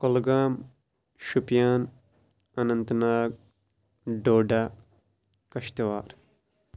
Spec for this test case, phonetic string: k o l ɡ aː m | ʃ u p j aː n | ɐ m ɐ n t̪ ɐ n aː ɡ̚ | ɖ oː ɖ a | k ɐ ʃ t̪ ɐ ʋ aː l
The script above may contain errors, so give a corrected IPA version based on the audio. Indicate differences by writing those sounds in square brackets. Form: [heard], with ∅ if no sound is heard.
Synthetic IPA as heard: k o l ɡ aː m | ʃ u p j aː n | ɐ [n] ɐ n t̪ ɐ n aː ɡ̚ | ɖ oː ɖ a | k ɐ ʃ t̪ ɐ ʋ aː [ɾ]

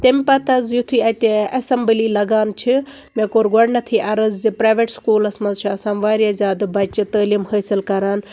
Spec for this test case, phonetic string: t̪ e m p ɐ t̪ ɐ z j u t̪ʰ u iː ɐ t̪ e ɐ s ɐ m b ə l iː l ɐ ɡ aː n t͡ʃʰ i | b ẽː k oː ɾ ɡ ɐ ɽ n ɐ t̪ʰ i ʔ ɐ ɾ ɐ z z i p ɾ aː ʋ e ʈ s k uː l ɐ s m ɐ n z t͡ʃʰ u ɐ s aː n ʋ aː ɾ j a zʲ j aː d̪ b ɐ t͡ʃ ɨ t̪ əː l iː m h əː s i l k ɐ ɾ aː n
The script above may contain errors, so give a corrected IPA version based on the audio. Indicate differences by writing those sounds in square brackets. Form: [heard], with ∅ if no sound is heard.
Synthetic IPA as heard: t̪ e m p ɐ t̪ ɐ z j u t̪ʰ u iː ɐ t̪ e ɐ s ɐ m b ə l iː l ɐ ɡ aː n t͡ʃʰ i | [m] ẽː k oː ɾ ɡ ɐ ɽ n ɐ t̪ʰ i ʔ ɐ ɾ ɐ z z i p ɾ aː ʋ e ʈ s k uː l ɐ s m ɐ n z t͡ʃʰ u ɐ s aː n ʋ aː ɾ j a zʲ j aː d̪ b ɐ t͡ʃ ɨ t̪ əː l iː m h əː s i l k ɐ ɾ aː n

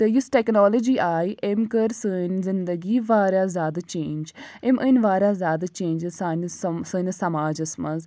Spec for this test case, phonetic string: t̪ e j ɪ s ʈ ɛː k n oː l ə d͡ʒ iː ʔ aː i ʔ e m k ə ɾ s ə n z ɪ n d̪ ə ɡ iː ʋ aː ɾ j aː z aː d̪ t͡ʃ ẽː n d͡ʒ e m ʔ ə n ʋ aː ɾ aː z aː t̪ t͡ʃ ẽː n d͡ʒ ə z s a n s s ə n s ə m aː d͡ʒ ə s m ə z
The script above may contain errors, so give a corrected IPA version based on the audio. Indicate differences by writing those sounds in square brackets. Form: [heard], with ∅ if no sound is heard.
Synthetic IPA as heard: t̪ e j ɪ s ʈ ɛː k n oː l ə d͡ʒ iː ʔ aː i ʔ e m k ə ɾ s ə n z ɪ n d̪ ə ɡ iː ʋ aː ɾ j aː z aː d̪ t͡ʃ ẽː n d͡ʒ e m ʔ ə n ʋ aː ɾ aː z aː [d̪] t͡ʃ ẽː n d͡ʒ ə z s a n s s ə n s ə m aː d͡ʒ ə s m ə z

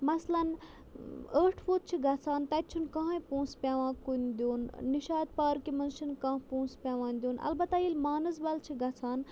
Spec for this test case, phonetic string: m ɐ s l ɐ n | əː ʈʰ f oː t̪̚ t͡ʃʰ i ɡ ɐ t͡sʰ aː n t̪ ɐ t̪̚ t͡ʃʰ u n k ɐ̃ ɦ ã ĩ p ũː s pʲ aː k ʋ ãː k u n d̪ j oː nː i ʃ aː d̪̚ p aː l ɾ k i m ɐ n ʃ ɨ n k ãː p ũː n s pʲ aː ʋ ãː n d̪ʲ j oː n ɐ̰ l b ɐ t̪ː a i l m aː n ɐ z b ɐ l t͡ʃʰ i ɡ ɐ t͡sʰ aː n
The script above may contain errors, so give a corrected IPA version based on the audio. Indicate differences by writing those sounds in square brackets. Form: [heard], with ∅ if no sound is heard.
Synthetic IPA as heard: m ɐ s l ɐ n | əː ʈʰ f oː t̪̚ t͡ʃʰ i ɡ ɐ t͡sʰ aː n t̪ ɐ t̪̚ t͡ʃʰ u n k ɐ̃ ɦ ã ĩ p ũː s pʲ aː [∅] ʋ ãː k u n d̪ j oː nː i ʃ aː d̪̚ p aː [∅] ɾ k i m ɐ n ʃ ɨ n k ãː p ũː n s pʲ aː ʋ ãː n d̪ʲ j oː n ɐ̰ l b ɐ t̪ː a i l m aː n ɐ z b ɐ l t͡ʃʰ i ɡ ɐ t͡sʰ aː n

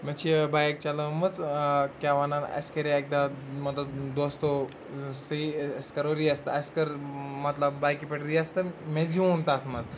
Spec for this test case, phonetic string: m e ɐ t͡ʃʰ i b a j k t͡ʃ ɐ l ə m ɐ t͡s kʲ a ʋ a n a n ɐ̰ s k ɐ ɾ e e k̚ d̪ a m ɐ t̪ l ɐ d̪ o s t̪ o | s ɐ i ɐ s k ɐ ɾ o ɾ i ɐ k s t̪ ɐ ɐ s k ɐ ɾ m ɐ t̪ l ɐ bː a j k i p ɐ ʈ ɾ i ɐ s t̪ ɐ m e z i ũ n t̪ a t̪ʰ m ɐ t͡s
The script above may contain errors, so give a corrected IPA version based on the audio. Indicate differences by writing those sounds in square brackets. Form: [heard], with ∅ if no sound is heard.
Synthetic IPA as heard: m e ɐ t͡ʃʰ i b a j k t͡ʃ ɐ l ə m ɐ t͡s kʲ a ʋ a n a n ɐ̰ s k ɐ ɾ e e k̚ d̪ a m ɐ t̪ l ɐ d̪ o s t̪ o | s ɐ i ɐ s k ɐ ɾ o ɾ i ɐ [∅] s t̪ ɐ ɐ s k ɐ ɾ m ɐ t̪ l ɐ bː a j k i p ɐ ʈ ɾ i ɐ s t̪ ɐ m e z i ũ n t̪ a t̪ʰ m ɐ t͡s

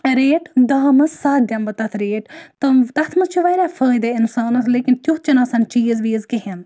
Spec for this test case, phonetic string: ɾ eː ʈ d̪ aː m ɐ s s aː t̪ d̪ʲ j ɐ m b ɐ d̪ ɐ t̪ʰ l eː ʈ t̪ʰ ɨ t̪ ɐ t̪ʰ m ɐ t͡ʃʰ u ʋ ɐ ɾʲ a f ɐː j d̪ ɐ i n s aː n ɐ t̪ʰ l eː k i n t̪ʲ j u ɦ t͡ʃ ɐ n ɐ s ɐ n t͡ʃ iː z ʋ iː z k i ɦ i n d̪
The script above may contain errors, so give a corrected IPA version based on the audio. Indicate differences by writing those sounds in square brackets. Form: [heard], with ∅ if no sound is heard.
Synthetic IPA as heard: ɾ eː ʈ d̪ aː m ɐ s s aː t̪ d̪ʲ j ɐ m b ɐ [t̪] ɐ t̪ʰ [ɾ] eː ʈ [t̪] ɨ t̪ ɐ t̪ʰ m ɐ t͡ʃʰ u ʋ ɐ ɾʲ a f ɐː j d̪ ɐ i n s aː n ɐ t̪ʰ l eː k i n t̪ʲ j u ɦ t͡ʃ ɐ n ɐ s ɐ n t͡ʃ iː z ʋ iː z k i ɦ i n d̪

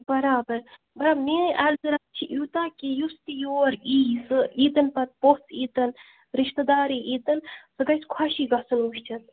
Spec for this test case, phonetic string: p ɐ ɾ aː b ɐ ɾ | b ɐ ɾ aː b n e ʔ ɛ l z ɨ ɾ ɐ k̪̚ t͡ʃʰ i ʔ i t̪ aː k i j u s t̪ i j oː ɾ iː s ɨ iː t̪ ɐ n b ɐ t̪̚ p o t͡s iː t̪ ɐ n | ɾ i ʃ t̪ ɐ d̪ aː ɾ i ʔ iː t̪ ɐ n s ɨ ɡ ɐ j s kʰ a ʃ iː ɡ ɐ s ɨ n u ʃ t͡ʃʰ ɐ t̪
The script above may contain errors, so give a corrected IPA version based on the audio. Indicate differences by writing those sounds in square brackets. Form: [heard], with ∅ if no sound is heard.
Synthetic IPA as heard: [b] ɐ ɾ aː b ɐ ɾ | b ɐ ɾ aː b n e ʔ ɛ l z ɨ ɾ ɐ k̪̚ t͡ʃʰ i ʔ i t̪ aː k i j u s t̪ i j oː ɾ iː s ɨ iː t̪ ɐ n [p] ɐ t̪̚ p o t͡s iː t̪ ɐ n | ɾ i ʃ t̪ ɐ d̪ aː ɾ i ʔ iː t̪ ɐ n s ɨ ɡ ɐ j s kʰ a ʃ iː ɡ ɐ s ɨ n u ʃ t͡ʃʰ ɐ t̪

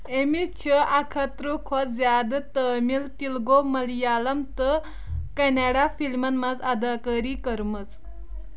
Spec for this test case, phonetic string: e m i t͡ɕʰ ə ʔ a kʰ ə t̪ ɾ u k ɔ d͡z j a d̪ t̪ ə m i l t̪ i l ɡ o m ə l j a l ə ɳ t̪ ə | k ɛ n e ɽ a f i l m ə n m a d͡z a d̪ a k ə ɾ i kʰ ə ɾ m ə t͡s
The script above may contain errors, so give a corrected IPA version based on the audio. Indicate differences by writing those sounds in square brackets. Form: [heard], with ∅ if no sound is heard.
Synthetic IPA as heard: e m i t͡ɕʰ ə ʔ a kʰ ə t̪ ɾ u [kʰ] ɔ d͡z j a d̪ t̪ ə m i l t̪ i l ɡ o m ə l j a l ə [m] t̪ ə | k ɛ n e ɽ a f i l m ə n m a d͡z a d̪ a k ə ɾ i [k] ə ɾ m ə t͡s

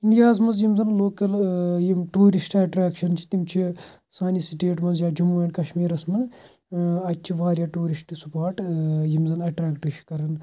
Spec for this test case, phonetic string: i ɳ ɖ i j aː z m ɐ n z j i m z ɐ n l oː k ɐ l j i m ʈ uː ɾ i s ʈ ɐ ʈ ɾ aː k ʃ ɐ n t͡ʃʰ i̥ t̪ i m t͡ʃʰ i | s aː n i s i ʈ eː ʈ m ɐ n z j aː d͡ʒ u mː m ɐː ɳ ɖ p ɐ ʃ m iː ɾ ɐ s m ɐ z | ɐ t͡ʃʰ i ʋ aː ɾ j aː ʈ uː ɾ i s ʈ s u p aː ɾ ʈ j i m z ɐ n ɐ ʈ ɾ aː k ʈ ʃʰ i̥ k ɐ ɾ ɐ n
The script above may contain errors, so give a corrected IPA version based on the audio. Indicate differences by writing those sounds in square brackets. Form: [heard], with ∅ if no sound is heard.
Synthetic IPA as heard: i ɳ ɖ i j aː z m ɐ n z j i m z ɐ n l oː k ɐ l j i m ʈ uː ɾ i s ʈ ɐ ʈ ɾ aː k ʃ ɐ n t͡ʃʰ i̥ t̪ i m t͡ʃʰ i | s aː n i s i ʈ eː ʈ m ɐ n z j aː d͡ʒ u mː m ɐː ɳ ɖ [k] ɐ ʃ m iː ɾ ɐ s m ɐ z | ɐ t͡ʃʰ i ʋ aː ɾ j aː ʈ uː ɾ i s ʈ s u p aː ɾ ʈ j i m z ɐ n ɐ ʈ ɾ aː k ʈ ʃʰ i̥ k ɐ ɾ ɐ n

